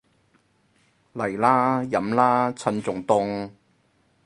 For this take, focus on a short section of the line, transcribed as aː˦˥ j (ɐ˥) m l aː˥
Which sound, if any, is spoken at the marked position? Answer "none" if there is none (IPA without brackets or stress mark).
ɐ˨˥